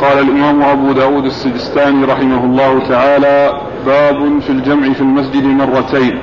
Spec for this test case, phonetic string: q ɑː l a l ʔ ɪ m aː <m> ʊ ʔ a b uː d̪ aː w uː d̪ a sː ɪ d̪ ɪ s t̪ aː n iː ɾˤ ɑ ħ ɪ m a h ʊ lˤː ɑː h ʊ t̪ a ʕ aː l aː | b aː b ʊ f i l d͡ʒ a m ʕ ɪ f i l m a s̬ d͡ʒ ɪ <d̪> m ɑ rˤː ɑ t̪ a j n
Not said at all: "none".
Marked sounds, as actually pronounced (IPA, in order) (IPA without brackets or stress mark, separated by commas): m, d̪